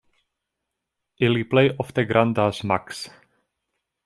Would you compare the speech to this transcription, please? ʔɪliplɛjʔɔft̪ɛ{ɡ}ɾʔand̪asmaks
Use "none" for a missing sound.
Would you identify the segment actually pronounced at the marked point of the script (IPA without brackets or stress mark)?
ɡ